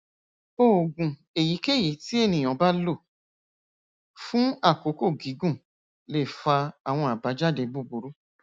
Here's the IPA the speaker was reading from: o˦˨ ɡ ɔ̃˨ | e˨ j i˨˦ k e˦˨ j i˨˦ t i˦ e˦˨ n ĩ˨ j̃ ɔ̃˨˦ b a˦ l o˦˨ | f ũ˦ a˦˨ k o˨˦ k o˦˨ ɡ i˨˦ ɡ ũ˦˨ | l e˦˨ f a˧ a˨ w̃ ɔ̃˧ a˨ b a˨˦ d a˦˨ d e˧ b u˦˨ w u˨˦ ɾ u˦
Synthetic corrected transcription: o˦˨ ɡ ũ˨ | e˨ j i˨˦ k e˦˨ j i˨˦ t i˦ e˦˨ n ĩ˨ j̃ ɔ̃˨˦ b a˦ l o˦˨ | f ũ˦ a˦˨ k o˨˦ k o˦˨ ɡ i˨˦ ɡ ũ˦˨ | l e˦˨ f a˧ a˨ w̃ ɔ̃˧ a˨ b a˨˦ d͡ʒ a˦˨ d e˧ b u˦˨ b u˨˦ ɾ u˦